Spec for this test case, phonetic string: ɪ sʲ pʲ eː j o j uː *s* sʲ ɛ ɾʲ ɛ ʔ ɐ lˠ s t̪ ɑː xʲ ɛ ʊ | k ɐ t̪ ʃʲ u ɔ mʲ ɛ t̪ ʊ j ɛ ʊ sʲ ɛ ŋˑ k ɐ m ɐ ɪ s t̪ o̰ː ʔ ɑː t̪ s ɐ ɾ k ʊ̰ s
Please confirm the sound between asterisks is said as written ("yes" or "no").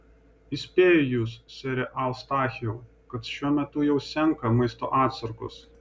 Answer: yes